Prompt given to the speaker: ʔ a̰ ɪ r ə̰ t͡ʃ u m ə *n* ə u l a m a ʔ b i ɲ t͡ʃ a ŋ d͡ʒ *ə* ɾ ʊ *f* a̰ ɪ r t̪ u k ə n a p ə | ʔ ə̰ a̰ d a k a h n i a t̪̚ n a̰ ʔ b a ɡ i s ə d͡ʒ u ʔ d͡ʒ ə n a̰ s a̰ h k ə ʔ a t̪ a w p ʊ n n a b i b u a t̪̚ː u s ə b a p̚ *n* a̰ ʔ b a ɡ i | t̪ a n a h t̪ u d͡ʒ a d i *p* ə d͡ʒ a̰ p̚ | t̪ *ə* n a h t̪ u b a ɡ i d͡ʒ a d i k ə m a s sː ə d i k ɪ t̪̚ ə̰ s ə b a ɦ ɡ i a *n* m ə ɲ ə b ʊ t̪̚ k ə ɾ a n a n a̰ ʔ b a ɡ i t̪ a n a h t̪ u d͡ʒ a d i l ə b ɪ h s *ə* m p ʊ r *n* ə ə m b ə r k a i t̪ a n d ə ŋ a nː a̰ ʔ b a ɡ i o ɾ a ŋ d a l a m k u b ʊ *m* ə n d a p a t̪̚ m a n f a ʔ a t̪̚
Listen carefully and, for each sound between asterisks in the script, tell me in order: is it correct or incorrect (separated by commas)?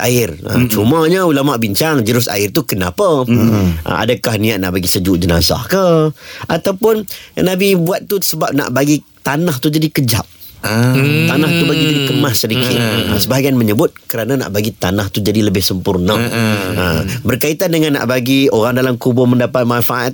incorrect, correct, incorrect, correct, incorrect, incorrect, correct, correct, correct, correct